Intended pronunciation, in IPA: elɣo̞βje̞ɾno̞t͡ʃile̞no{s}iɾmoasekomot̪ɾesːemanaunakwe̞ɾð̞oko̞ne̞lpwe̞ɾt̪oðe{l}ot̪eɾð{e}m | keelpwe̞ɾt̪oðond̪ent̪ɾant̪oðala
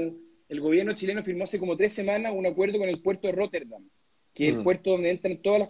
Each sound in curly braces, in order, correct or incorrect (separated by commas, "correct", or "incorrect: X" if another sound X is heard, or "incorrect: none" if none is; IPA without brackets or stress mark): incorrect: f, incorrect: r, incorrect: a